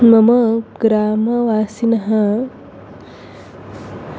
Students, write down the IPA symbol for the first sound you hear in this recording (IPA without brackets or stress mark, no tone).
m